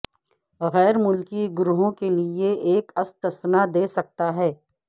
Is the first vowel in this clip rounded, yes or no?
no